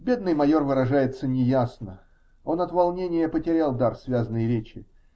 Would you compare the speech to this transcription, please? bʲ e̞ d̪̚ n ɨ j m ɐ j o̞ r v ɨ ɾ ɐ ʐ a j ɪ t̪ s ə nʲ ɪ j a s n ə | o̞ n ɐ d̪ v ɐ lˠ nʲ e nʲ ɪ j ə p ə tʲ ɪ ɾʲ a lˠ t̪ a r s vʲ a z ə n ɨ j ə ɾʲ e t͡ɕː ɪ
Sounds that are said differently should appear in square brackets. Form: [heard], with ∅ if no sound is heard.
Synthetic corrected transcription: bʲ e̞ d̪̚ n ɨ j m ɐ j o̞ r v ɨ ɾ ɐ ʐ a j ɪ t̪ s ə nʲ ɪ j a s n ə | o̞ n ɐ [t̪] v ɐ lˠ nʲ e nʲ ɪ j ə p ə tʲ ɪ ɾʲ a lˠ [d̪] a r s vʲ a z ə n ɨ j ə ɾʲ e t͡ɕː ɪ